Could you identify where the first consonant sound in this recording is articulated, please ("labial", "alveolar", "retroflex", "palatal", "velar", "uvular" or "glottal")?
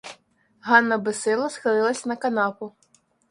glottal